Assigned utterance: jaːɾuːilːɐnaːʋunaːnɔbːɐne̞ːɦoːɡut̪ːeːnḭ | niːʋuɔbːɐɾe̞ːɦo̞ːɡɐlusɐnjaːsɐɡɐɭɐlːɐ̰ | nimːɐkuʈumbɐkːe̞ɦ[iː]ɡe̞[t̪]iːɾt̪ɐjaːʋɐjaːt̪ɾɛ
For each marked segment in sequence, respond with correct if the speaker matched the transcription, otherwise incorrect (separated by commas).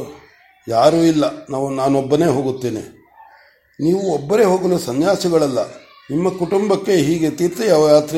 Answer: correct, correct